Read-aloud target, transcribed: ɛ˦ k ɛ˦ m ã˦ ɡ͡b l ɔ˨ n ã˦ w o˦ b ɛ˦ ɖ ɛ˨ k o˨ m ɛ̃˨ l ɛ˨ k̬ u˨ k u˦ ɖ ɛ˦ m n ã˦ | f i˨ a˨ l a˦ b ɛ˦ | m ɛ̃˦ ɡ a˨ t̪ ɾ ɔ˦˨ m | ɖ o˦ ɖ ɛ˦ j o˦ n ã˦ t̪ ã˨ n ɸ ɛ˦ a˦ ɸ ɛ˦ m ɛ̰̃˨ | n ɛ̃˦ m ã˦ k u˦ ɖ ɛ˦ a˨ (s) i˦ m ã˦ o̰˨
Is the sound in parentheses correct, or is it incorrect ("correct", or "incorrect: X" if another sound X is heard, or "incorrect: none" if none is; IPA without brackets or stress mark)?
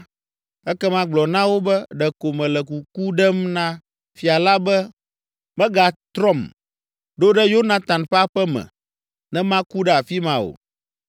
incorrect: f